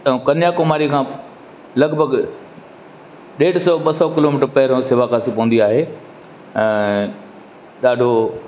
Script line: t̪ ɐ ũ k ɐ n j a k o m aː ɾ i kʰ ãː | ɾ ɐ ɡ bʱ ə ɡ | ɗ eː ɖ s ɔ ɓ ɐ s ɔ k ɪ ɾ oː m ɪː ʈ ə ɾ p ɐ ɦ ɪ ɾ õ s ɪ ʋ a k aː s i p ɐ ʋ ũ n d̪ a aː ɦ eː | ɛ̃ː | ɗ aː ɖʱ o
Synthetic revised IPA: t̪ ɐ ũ k ɐ n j a k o m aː ɾ i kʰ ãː | l ɐ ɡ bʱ ə ɡ | ɗ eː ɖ s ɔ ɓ ɐ s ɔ k ɪ l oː m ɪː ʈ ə ɾ p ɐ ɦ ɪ ɾ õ s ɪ ʋ a k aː s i p ɐ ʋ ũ n d̪ i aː ɦ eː | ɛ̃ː | ɗ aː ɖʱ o